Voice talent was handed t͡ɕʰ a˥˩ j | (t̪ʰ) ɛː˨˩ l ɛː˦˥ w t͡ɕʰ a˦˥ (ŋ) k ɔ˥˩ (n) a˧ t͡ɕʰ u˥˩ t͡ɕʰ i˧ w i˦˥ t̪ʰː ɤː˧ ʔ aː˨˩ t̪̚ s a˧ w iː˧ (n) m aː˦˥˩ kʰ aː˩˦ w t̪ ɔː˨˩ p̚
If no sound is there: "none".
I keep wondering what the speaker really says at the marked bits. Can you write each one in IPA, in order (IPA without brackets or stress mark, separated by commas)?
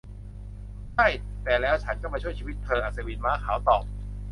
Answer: t̪, n, m, n